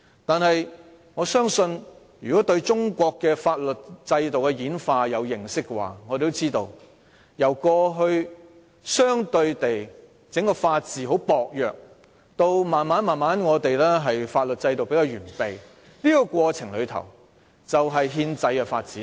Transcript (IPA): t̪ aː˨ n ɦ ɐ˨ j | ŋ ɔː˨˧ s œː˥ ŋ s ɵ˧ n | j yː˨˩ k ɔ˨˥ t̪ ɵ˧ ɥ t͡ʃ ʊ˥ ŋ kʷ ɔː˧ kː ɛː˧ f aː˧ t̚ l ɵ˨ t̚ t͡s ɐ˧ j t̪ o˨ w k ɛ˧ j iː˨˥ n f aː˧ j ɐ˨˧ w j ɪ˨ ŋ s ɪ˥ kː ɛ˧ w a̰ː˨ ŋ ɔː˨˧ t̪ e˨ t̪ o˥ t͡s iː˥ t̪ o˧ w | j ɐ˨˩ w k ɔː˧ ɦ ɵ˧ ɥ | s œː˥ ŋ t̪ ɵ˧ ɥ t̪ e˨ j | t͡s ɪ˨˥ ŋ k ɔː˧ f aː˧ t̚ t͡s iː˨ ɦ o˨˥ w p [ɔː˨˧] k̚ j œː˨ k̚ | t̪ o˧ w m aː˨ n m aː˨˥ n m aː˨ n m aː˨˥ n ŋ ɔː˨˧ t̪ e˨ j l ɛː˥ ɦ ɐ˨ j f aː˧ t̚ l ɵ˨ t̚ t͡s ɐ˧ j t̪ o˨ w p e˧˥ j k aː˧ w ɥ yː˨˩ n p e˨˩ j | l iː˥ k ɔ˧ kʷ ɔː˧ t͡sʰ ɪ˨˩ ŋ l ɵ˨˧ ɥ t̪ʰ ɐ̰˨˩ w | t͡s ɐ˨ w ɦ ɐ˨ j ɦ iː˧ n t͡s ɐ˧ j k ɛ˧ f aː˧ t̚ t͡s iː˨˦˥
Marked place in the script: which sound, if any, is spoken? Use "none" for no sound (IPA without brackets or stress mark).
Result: ɔː˨˧